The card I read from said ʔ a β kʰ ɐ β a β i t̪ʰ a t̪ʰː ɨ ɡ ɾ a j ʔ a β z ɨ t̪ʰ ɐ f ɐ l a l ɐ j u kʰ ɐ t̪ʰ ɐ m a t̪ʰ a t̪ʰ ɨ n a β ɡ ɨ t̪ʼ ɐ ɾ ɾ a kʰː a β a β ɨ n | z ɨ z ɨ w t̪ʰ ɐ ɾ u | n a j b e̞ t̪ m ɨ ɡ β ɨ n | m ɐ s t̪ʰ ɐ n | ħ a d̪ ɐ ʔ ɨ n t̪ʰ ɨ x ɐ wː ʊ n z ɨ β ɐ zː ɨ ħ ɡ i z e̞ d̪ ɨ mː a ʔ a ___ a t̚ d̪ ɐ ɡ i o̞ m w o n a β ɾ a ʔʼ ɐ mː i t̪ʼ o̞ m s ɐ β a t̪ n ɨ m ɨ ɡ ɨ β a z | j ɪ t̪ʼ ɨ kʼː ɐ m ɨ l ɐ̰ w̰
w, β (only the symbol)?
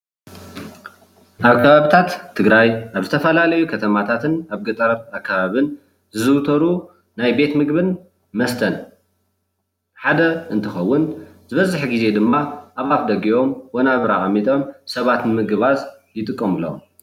β